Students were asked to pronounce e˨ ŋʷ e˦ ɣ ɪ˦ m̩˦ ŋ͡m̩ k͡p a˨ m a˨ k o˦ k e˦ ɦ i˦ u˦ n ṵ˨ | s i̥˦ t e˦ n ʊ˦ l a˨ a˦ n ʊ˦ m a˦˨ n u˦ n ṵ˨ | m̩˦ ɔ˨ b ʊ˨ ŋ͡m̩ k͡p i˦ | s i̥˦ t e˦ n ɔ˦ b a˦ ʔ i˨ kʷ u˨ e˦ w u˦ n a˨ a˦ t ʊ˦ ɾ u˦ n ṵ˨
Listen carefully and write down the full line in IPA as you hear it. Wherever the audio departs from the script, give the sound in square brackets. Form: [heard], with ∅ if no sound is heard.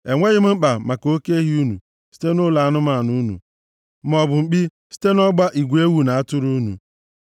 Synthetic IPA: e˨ ŋʷ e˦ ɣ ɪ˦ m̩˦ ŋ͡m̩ k͡p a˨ m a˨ k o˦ k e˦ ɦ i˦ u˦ n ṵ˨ | s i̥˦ t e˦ n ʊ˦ l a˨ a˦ n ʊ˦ m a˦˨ n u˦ n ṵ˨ | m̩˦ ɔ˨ b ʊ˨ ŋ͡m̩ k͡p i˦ | s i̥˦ t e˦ n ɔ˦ [ɡ͡b] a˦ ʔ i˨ [ɡʷ] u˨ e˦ w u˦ n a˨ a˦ t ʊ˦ ɾ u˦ n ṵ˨